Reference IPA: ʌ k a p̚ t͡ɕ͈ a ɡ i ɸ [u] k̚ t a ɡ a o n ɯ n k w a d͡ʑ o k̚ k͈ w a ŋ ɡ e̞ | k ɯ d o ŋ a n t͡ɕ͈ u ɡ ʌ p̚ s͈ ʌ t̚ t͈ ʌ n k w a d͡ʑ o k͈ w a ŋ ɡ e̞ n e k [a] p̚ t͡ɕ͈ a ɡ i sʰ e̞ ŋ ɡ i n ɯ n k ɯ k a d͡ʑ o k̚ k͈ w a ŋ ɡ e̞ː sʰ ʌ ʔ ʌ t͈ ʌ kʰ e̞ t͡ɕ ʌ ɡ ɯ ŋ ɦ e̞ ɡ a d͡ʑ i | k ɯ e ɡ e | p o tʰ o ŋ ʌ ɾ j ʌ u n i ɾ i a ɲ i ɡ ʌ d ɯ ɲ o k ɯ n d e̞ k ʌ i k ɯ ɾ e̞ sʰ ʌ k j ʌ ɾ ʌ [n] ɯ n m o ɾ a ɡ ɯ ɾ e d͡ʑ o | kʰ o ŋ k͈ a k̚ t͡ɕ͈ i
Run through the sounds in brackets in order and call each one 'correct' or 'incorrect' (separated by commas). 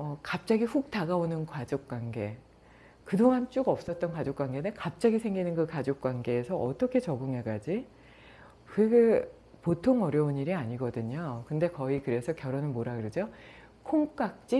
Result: correct, correct, correct